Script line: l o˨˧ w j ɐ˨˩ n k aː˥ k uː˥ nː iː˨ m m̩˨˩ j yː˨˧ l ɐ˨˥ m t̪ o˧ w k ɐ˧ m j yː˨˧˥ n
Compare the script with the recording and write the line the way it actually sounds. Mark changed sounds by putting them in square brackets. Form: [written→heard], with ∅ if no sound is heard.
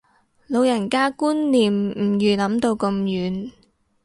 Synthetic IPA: l o˨˧ w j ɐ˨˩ n k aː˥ k uː˥ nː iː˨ m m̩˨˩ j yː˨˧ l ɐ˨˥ m t̪ o˧ w k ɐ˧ m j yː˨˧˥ n

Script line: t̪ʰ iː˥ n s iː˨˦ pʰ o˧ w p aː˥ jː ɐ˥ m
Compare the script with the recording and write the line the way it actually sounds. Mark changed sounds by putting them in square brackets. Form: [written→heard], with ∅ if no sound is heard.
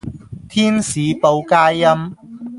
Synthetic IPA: t̪ʰ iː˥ n s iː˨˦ [pʰ→p] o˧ w [p→k] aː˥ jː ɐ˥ m

